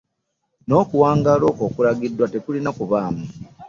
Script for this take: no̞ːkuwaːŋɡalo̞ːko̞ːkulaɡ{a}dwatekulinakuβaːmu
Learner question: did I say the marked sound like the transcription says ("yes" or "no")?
no